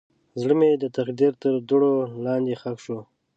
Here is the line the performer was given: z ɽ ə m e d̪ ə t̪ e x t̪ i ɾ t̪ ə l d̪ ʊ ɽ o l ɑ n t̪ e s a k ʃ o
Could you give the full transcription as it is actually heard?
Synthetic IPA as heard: z ɽ ə m e d̪ ə t̪ a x d̪ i ɾ t̪ ə ɾ d̪ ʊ ɽ o l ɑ n d̪ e x a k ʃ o